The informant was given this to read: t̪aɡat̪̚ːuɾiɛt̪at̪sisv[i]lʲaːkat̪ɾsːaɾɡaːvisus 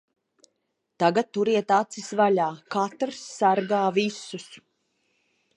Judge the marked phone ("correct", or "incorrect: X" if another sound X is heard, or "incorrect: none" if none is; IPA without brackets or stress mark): incorrect: a